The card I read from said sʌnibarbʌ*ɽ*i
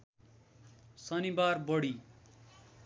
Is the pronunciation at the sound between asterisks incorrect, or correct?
correct